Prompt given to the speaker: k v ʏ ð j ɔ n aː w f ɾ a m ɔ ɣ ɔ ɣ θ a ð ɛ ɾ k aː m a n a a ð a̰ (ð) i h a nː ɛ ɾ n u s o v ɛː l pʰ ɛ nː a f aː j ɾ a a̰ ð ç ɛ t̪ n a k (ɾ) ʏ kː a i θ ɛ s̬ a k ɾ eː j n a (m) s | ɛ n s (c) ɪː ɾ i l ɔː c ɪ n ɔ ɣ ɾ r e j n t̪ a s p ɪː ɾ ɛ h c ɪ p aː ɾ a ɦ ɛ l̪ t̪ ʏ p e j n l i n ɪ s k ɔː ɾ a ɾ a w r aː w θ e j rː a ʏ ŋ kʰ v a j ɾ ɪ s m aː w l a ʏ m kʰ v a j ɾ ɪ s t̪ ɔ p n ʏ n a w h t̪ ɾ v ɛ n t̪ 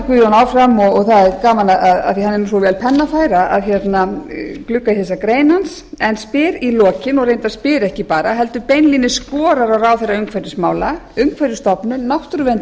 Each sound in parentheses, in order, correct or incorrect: incorrect: θ, incorrect: l, incorrect: n, incorrect: p

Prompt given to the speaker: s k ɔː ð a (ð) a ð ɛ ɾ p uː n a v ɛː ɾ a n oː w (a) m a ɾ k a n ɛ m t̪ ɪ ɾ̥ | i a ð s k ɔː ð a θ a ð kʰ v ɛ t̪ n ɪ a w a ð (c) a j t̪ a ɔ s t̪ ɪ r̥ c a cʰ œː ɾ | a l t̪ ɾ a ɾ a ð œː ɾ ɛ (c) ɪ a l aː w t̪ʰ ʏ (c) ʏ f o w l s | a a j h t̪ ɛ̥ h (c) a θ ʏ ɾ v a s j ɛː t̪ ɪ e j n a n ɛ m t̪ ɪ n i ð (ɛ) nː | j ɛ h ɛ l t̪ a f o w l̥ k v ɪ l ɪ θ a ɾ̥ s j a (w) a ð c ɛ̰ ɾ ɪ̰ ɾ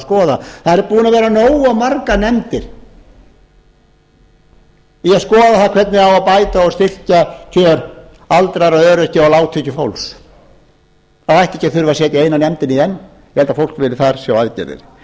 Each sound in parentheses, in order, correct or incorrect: incorrect: θ, correct, incorrect: p, correct, correct, correct, correct, correct

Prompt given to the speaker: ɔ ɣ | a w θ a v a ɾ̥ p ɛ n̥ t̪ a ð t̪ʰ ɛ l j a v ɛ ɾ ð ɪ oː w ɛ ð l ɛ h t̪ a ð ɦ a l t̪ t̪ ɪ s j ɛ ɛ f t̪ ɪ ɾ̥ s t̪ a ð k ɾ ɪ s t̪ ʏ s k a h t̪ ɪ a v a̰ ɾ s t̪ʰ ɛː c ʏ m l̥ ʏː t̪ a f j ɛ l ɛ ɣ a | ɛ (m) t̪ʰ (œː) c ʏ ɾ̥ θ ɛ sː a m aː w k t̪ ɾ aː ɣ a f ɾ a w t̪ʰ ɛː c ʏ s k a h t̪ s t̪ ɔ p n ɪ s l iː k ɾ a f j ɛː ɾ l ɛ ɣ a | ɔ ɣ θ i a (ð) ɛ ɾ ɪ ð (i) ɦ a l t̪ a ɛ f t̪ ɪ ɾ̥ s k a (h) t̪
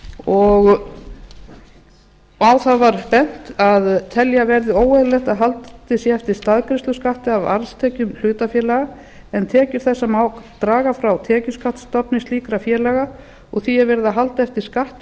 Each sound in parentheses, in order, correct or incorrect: incorrect: n, incorrect: ɛː, incorrect: v, incorrect: a, correct

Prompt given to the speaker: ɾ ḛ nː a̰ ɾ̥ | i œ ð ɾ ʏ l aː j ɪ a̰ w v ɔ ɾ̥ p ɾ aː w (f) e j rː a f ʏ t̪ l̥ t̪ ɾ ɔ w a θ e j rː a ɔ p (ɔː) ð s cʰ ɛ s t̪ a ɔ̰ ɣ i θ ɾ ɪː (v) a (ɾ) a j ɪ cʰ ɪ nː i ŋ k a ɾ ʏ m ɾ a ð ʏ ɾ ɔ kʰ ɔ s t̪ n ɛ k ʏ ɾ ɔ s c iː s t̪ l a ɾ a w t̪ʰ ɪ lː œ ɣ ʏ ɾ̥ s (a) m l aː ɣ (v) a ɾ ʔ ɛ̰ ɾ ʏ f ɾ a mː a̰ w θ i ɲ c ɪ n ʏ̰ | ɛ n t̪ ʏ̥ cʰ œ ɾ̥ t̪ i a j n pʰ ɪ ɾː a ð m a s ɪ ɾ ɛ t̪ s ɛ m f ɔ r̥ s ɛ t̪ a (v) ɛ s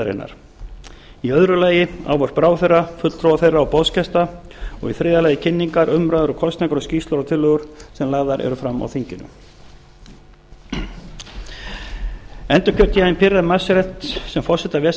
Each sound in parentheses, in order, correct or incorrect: incorrect: θ, incorrect: ɔ, incorrect: ð, incorrect: l, incorrect: ɛ, incorrect: ð, correct

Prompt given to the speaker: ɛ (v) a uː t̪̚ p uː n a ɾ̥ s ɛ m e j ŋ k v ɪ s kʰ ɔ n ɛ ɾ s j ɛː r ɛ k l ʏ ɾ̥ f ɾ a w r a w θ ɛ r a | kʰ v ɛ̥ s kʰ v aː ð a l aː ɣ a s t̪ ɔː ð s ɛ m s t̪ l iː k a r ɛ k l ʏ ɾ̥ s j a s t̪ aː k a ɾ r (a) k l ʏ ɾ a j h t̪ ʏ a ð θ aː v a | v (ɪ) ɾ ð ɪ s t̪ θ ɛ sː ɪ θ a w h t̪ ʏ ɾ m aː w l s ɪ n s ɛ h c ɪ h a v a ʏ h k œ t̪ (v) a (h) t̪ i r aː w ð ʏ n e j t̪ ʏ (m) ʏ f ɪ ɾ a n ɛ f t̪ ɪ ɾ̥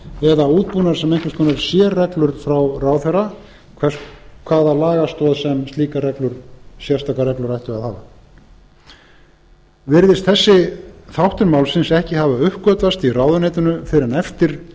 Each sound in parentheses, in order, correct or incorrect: incorrect: ð, incorrect: ɛ, correct, correct, incorrect: s, incorrect: n

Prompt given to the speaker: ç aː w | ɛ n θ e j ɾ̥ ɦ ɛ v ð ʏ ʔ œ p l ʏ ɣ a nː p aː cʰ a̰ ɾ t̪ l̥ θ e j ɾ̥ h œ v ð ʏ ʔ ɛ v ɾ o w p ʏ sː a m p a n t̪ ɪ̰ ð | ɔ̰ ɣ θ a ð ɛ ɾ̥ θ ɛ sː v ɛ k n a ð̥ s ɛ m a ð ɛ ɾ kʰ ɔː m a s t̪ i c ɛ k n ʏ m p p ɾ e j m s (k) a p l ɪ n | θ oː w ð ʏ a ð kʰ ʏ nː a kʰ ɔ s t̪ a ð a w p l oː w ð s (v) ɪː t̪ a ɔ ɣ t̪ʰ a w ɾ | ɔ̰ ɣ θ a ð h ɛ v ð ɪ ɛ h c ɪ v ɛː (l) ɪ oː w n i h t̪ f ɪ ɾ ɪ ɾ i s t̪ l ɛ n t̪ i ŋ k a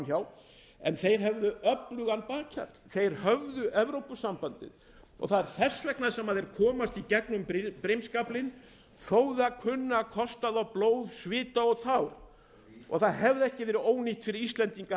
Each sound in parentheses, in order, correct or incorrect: correct, correct, incorrect: ɾ

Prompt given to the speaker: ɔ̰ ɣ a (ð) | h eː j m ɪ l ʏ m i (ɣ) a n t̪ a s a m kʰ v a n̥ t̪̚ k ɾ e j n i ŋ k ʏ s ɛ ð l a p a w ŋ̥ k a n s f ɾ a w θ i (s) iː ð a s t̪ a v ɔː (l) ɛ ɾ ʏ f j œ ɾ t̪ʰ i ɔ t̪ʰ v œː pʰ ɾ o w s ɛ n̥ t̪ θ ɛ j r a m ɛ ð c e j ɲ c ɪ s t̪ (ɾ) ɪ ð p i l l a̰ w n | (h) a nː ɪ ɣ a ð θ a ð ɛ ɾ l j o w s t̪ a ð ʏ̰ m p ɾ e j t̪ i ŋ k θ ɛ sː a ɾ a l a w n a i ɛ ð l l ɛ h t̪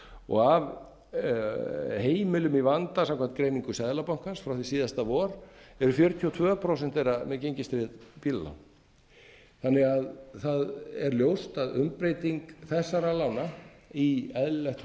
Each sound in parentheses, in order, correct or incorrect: incorrect: v, incorrect: v, correct, incorrect: ɾ, correct, incorrect: θ

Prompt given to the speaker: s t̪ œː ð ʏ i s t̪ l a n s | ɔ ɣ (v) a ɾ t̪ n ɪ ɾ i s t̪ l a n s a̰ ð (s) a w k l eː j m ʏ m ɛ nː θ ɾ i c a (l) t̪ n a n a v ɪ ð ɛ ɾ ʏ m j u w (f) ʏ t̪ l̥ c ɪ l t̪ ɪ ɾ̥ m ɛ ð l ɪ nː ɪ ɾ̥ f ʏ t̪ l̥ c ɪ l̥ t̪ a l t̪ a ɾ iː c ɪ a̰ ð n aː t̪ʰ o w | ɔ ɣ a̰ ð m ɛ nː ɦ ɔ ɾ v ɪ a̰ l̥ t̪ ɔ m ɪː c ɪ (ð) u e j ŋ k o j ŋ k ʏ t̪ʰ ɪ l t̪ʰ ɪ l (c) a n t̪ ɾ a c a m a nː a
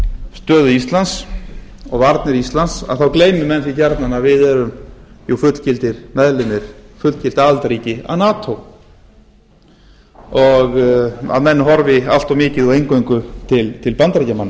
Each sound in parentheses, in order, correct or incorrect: correct, incorrect: θ, incorrect: ɾ, correct, correct, incorrect: p

